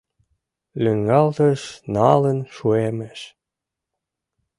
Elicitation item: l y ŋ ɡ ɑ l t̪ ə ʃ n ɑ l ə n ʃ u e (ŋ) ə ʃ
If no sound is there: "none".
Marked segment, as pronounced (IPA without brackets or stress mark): m